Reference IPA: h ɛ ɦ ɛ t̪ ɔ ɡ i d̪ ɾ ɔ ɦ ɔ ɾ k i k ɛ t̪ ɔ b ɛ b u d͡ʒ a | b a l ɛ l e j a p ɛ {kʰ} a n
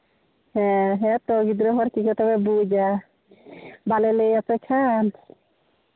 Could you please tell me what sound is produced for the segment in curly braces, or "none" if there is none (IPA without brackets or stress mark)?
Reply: kʰ